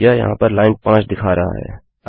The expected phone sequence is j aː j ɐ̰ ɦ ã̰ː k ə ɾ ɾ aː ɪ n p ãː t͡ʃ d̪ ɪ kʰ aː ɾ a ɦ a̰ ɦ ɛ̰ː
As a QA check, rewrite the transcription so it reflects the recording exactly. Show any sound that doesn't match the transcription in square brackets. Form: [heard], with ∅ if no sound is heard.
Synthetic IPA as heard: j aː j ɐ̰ ɦ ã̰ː [p] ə ɾ [l] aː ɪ n p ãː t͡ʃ d̪ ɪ kʰ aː ɾ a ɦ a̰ ɦ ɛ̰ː